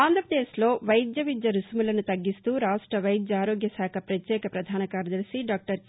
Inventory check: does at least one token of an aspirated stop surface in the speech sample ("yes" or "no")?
yes